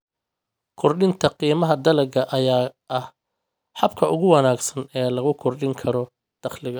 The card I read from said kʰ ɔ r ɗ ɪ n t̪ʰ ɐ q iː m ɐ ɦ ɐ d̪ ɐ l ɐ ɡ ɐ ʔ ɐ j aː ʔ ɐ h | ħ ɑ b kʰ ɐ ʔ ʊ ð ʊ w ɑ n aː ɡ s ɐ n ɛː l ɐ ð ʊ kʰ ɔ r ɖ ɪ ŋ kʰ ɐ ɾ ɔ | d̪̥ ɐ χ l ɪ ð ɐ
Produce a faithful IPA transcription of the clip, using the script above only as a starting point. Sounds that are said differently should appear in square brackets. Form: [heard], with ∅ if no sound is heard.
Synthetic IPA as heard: kʰ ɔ r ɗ ɪ n t̪ʰ ɐ q iː m ɐ ɦ ɐ d̪ ɐ l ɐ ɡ ɐ ʔ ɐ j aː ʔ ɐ h | ħ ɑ b kʰ ɐ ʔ ʊ [ɣ] ʊ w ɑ n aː ɡ s ɐ n ɛː l ɐ [ɣ] ʊ kʰ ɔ r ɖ ɪ ŋ kʰ ɐ ɾ ɔ | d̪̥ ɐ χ l ɪ [ɣ] ɐ